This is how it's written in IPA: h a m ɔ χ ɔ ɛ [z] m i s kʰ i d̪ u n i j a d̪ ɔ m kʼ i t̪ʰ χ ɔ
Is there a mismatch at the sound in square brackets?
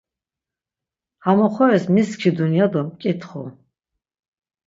yes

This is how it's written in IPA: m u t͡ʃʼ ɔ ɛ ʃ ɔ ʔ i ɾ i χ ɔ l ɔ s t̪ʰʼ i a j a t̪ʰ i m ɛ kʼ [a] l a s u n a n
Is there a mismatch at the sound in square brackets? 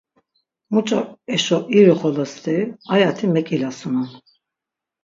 yes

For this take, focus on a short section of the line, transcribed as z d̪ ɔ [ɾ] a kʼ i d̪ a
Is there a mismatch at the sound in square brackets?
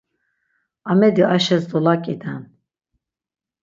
yes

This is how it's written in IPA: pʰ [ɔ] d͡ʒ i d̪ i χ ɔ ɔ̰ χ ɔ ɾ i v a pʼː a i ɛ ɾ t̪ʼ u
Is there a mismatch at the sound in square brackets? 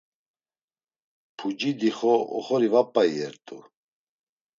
yes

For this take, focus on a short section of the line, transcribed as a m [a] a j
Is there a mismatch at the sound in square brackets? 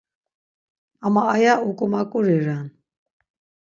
no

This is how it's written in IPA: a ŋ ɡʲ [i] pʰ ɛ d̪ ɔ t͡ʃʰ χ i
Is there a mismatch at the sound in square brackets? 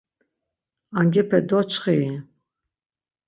yes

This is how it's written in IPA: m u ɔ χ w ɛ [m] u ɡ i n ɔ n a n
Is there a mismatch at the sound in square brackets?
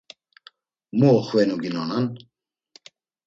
yes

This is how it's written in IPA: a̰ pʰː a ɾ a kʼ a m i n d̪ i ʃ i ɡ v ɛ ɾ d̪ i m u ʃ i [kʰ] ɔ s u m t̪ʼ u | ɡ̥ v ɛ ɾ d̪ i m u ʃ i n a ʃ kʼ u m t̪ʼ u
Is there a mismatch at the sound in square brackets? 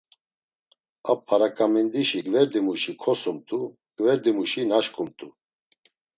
no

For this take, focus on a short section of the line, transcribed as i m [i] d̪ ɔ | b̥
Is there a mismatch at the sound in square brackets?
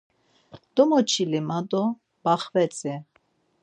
yes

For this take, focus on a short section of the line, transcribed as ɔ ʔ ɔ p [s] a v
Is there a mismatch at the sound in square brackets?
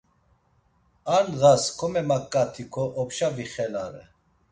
yes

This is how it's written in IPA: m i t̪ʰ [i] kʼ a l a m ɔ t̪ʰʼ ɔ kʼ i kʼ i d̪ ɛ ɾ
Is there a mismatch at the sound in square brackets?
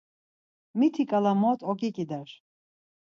no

